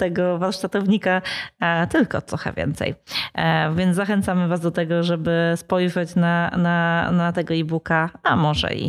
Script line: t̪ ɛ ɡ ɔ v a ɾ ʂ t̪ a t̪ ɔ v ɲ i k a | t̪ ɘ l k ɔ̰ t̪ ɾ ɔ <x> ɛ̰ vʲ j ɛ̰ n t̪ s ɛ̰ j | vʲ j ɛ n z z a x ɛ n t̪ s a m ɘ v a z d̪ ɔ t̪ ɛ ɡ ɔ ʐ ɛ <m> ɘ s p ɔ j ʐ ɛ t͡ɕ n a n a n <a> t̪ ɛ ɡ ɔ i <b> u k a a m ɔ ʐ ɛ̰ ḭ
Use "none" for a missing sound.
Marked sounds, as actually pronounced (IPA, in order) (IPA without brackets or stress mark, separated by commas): x, b, a, b